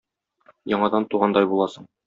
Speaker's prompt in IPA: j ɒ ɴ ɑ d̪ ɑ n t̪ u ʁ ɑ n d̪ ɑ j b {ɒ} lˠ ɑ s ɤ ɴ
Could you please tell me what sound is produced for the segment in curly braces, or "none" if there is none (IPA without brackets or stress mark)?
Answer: u